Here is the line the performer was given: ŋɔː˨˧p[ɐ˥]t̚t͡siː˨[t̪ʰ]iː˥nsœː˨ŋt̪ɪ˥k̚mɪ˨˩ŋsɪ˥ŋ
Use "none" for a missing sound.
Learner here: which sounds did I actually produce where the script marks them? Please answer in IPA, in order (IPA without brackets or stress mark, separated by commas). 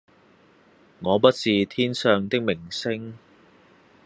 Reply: ɐ˥, t̪ʰ